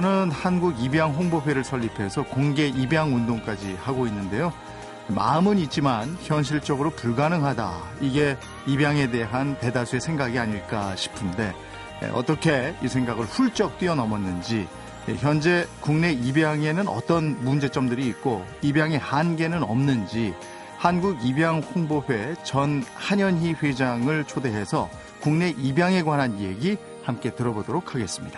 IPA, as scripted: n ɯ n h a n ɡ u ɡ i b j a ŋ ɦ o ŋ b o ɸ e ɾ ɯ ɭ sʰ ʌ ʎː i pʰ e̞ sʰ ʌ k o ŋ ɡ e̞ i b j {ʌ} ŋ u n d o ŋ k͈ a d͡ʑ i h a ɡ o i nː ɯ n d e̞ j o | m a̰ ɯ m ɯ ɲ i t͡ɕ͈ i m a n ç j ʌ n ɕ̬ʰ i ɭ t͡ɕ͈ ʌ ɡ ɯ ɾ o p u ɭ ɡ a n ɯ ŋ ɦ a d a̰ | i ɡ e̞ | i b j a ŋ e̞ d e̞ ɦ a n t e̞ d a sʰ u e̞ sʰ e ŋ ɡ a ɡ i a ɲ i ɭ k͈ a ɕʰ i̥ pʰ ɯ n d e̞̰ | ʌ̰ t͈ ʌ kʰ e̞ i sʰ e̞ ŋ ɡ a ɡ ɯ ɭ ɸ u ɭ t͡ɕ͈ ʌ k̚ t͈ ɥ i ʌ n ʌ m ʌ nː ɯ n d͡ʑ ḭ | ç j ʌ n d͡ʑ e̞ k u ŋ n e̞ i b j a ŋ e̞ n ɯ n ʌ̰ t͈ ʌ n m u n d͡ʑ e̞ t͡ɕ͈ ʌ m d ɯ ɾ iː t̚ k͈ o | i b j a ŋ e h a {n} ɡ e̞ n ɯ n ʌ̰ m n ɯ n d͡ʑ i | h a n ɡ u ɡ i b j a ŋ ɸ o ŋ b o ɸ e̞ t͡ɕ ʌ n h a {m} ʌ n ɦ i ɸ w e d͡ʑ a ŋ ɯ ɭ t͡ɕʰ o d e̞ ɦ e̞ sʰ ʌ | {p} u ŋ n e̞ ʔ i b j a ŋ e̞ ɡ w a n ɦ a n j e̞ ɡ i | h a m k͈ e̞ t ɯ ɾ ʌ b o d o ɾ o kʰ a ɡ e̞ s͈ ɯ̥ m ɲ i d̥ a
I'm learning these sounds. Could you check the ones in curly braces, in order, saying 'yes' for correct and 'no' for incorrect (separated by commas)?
no, yes, no, no